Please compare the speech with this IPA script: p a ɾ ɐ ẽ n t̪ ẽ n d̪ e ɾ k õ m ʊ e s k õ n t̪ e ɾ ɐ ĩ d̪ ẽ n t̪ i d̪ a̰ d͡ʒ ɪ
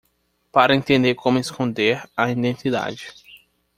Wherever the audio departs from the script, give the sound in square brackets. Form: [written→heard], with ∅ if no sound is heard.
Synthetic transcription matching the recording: p a ɾ ɐ ẽ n t̪ ẽ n d̪ e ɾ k õ m ʊ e s k õ n [t̪→d̪] e ɾ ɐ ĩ d̪ ẽ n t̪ i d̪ a̰ d͡ʒ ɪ